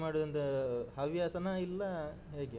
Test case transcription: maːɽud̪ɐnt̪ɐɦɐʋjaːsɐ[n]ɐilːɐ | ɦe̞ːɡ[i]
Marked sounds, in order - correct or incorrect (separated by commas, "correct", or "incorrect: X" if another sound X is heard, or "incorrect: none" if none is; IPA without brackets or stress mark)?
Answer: correct, incorrect: e